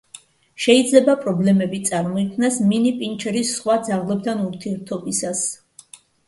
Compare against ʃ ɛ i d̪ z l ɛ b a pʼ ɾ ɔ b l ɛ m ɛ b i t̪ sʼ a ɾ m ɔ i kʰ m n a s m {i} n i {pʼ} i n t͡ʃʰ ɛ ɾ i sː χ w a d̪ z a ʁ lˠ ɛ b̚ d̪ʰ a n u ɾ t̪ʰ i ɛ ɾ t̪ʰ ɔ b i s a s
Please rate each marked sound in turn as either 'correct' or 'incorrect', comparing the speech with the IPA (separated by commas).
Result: correct, correct